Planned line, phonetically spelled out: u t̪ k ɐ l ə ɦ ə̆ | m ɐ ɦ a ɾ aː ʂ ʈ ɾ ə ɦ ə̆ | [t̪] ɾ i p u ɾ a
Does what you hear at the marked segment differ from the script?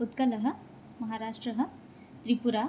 no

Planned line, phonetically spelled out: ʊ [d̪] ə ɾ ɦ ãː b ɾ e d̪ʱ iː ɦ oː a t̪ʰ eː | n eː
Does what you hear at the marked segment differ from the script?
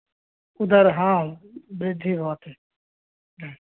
no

